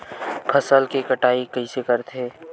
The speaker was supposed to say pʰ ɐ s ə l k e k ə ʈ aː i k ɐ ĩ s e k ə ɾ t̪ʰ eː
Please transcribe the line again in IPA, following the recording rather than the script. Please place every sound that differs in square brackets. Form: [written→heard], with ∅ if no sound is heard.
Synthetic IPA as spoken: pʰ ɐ s ə l k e k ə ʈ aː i k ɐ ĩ s e k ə ɾ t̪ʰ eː

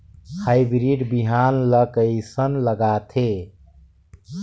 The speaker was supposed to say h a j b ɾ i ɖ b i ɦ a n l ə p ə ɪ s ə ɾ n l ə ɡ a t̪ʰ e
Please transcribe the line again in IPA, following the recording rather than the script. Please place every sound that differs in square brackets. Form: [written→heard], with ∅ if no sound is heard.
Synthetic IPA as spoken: h a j b ɾ i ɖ b i ɦ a n l ə [p→k] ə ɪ s ə [ɾ→∅] n l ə ɡ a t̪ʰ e

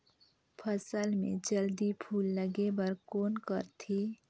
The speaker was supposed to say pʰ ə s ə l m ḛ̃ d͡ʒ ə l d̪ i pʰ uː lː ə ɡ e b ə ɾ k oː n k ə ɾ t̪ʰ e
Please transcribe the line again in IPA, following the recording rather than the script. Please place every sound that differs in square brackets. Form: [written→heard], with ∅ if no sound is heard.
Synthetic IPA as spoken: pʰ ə s ə l m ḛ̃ d͡ʒ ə l d̪ i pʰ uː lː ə ɡ e b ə ɾ k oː n k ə ɾ t̪ʰ [e→i]

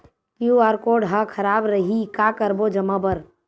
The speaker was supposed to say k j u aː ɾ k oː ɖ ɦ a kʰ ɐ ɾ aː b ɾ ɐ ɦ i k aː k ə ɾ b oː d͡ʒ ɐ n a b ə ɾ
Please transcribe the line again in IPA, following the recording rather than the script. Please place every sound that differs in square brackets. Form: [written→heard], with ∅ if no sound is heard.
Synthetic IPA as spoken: k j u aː ɾ k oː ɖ ɦ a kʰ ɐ ɾ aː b ɾ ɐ ɦ i k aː k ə ɾ b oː d͡ʒ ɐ [n→m] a b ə ɾ

